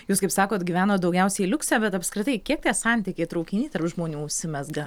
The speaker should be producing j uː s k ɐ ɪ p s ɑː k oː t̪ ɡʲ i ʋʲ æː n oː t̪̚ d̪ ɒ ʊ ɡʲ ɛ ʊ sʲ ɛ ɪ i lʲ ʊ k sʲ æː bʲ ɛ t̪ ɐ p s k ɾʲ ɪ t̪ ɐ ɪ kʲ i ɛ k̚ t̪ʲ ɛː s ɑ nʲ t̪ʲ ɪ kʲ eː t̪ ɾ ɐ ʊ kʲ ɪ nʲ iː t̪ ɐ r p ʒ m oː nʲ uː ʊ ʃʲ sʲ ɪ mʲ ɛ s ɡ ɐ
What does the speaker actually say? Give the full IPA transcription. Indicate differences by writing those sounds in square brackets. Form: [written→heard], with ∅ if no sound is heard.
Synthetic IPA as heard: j uː s k ɐ ɪ p s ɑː k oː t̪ ɡʲ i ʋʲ æː n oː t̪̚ d̪ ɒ ʊ ɡʲ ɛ ʊ sʲ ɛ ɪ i lʲ ʊ k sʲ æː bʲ ɛ t̪ ɐ p s k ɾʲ ɪ t̪ ɐ ɪ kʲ i ɛ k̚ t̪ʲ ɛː s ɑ nʲ t̪ʲ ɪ kʲ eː t̪ ɾ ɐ ʊ kʲ ɪ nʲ iː t̪ ɐ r p ʒ m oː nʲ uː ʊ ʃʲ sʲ ɪ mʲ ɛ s ɡ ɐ